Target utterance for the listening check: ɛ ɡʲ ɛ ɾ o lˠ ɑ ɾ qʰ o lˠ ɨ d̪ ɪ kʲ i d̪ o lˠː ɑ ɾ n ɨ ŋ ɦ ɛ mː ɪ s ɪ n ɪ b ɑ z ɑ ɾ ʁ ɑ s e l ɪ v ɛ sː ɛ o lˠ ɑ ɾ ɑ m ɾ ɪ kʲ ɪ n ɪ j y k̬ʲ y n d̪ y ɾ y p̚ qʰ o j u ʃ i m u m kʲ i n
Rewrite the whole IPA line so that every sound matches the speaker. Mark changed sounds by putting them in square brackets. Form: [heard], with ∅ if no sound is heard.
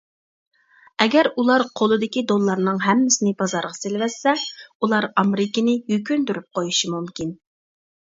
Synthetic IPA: ɛ ɡʲ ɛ ɾ [u] lˠ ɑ ɾ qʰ o lˠ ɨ d̪ ɪ kʲ i d̪ o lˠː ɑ ɾ n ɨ ŋ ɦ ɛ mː ɪ s ɪ n ɪ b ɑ z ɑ ɾ ʁ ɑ s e l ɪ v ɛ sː ɛ [u] lˠ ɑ ɾ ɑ m ɾ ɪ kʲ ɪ n ɪ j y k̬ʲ y n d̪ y ɾ y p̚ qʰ o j u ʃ i m u m kʲ i n